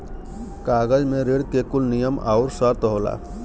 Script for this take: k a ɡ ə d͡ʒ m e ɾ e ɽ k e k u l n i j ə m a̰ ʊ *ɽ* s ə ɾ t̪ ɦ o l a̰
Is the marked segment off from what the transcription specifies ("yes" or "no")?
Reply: yes